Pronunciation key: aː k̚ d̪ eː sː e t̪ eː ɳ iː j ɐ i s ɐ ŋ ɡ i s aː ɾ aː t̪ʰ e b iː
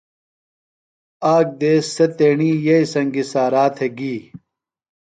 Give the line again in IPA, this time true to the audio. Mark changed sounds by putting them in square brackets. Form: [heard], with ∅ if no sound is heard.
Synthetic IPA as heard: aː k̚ d̪ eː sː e t̪ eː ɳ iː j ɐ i s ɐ ŋ ɡ i s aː ɾ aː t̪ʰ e [ɡ] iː